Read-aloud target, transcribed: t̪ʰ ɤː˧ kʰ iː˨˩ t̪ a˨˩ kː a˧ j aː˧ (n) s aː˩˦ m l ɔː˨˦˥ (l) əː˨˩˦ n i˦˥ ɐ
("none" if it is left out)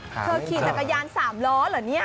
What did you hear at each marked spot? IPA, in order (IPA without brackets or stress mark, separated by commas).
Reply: n, l